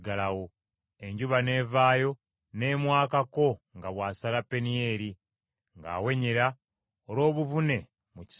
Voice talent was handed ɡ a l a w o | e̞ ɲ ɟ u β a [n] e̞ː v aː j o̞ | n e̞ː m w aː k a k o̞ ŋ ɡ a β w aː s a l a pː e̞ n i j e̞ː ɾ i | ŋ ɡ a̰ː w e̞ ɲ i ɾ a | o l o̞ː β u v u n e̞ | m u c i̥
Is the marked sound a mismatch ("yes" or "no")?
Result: no